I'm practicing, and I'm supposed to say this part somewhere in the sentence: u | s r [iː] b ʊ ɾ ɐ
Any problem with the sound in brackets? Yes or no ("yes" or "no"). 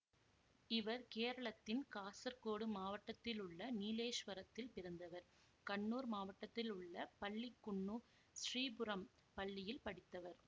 no